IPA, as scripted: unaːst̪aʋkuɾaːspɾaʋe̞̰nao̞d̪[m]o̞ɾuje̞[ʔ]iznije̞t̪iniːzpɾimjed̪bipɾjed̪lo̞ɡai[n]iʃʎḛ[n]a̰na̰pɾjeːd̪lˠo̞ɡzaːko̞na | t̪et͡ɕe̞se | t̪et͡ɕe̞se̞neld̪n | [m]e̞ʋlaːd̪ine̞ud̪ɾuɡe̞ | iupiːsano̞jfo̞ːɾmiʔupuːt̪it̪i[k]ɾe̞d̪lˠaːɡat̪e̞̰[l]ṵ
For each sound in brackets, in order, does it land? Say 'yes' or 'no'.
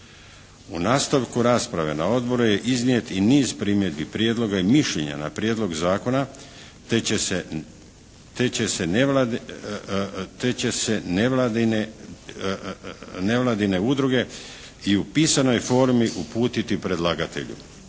no, yes, no, no, no, no, no

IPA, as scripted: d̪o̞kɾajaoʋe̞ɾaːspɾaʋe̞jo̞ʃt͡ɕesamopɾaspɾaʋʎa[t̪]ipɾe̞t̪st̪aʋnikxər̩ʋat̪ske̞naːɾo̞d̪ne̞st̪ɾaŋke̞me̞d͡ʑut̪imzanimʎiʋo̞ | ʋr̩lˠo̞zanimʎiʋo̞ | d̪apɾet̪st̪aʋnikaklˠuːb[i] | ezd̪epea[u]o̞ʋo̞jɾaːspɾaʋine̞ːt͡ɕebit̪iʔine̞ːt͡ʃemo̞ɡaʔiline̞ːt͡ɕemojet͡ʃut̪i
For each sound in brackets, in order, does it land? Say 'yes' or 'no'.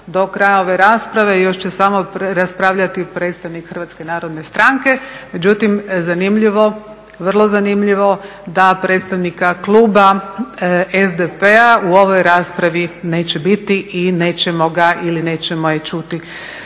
yes, no, yes

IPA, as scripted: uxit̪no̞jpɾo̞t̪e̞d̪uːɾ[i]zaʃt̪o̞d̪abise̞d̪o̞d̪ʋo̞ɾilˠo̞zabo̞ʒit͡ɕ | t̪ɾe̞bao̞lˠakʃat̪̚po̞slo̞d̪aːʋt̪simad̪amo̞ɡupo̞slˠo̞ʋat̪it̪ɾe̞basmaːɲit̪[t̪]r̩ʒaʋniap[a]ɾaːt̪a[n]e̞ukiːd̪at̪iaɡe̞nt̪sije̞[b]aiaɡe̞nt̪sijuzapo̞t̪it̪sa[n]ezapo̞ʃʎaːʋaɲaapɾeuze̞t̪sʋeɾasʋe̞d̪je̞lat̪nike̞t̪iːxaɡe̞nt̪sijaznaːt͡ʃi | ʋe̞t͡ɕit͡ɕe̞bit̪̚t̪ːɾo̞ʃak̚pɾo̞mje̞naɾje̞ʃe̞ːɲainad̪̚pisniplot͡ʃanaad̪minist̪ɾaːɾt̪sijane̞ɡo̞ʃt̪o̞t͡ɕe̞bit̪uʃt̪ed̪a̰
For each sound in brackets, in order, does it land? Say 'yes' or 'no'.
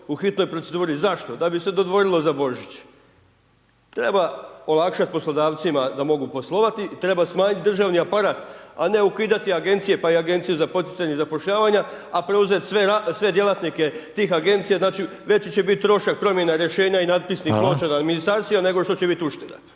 yes, no, yes, yes, no, no

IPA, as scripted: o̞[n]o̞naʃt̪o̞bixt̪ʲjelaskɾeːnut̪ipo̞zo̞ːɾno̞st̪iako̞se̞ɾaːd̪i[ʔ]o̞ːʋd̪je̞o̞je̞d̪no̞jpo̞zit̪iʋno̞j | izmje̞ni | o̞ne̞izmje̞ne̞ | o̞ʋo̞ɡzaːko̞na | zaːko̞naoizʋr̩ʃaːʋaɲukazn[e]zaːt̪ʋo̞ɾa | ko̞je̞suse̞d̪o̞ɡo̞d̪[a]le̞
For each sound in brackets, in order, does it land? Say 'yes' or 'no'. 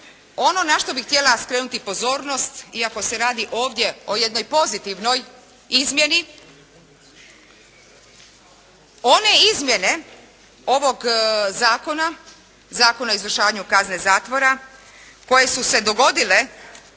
yes, yes, yes, no

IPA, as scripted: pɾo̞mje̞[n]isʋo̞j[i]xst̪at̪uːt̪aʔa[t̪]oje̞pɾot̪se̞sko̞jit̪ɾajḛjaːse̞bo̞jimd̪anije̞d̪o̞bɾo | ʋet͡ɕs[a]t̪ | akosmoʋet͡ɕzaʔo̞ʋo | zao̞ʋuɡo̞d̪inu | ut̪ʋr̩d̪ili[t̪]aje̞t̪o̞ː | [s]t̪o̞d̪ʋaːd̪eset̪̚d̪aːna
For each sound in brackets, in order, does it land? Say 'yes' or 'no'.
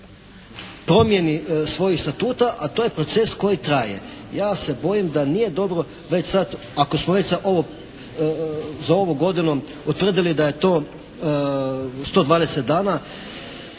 yes, yes, yes, yes, no, yes

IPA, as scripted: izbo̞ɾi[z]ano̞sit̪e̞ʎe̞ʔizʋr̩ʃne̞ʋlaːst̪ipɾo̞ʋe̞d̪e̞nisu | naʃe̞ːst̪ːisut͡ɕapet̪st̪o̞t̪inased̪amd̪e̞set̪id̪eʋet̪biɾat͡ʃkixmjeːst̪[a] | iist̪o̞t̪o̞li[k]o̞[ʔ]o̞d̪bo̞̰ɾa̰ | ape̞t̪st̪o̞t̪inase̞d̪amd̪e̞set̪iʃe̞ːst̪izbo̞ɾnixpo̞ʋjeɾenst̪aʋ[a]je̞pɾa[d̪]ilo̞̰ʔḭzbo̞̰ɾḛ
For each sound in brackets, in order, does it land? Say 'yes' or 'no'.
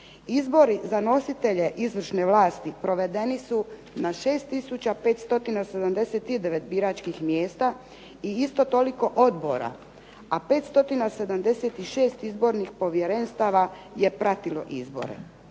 yes, yes, yes, yes, yes, no

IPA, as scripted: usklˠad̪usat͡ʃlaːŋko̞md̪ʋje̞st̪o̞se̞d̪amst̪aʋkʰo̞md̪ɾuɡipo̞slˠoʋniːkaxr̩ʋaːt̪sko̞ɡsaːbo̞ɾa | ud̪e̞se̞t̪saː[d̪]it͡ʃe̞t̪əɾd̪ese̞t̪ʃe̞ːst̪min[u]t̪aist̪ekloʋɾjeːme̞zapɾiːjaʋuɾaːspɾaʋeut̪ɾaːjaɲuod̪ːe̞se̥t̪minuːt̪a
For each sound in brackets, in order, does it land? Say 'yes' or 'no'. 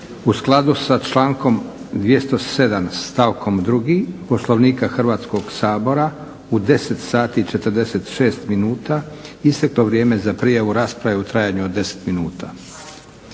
no, no

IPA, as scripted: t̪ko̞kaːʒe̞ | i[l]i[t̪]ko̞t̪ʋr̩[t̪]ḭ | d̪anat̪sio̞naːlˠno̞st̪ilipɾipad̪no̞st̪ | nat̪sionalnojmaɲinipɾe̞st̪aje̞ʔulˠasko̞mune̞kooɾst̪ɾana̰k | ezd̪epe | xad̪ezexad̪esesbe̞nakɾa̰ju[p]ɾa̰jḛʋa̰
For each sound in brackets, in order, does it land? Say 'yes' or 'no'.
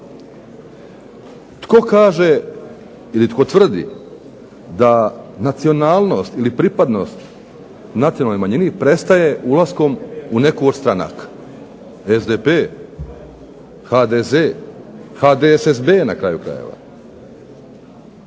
yes, yes, no, no

